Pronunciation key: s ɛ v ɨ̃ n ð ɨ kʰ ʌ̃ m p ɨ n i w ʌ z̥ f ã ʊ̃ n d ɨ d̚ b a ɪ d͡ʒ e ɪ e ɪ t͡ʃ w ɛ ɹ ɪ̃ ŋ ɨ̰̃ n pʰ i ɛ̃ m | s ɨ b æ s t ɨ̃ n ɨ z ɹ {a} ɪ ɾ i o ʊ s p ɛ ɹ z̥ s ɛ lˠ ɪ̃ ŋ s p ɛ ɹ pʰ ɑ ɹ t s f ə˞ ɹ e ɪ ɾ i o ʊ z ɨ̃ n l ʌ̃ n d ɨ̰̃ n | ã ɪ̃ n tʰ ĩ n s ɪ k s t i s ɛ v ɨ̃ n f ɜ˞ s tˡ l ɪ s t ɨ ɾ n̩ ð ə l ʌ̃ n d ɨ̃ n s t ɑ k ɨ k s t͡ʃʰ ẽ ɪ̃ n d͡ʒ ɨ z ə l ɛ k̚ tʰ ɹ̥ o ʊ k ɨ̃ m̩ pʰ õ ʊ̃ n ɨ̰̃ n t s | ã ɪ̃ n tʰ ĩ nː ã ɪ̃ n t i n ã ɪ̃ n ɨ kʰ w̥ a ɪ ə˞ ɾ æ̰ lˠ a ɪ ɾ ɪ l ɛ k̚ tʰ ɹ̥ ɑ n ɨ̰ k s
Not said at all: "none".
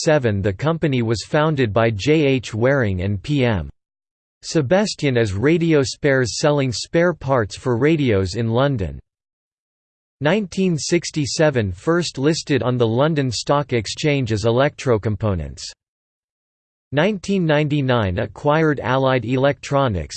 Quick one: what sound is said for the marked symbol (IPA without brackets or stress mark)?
e